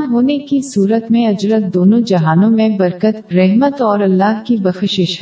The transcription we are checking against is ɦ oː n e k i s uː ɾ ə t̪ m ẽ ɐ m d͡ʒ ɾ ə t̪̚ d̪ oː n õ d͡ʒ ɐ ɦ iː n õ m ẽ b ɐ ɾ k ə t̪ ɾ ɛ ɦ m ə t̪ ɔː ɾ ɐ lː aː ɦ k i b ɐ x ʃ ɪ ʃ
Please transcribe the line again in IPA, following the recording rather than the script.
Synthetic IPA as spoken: ɦ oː n e k i s uː ɾ ə t̪ m ẽ ɐ d͡ʒ ɾ ə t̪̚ d̪ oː n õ d͡ʒ ɐ ɦ aː n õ m ẽ b ɐ ɾ k ə t̪ ɾ ɛ ɦ m ə t̪ ɔː ɾ ɐ lː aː ɦ k i b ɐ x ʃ ɪ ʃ